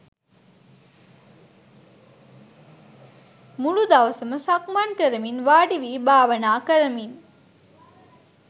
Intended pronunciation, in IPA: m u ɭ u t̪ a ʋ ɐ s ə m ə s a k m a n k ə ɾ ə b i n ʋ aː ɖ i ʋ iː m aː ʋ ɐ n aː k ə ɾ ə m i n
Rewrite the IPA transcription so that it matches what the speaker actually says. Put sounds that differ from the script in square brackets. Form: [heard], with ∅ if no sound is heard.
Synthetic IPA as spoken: m u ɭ u [d̪] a ʋ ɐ s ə m ə s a k m a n k ə ɾ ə [m] i n ʋ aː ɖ i ʋ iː [b] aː ʋ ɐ n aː k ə ɾ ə m i n